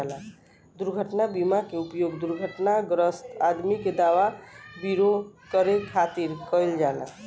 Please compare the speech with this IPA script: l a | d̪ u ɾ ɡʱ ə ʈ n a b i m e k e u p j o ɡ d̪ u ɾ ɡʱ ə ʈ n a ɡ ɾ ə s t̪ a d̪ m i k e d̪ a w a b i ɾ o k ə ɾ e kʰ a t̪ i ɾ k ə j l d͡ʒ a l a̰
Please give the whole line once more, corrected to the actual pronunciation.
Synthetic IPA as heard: l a | d̪ u ɾ ɡʱ ə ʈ n a b i m a k e u p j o ɡ d̪ u ɾ ɡʱ ə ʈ n a ɡ ɾ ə s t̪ a d̪ m i k e d̪ a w a b i ɾ o k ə ɾ e kʰ a t̪ i ɾ k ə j l d͡ʒ a l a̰